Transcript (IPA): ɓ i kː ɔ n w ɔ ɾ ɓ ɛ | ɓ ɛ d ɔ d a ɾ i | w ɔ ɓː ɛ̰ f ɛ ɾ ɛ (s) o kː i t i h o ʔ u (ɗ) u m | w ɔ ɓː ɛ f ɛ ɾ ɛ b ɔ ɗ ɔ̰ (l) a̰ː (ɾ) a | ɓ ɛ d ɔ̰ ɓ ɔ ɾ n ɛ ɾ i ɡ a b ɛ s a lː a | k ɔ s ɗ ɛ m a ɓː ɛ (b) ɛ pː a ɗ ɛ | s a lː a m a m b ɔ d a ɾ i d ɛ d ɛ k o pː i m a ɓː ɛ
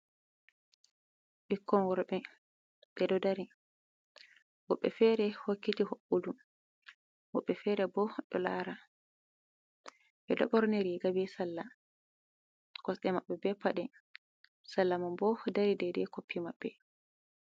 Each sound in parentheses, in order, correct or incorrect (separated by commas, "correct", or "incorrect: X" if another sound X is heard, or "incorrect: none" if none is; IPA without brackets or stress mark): incorrect: h, incorrect: d, correct, correct, correct